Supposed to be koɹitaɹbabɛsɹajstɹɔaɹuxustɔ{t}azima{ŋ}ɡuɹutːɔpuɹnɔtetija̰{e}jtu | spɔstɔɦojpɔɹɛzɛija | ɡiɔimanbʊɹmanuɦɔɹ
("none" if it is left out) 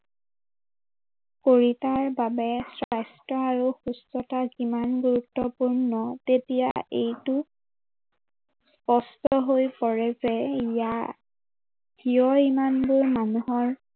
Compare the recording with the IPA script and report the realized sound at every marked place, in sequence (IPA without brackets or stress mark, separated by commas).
t, n, e